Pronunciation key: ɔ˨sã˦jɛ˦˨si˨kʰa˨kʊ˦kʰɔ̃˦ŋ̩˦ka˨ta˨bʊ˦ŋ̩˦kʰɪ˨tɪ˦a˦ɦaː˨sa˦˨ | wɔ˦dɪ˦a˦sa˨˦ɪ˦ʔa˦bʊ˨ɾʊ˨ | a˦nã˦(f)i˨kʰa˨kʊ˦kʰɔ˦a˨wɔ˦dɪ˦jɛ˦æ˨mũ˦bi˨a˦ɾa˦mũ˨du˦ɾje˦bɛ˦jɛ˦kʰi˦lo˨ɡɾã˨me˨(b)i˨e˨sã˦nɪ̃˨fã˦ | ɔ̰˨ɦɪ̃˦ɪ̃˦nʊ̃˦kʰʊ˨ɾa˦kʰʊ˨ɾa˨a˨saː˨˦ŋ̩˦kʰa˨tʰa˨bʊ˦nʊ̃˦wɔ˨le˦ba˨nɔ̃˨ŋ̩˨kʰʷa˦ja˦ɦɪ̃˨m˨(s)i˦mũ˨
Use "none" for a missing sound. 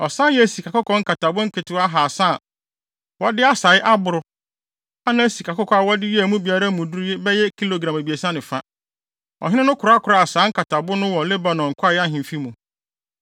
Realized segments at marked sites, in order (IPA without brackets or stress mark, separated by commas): s, b, f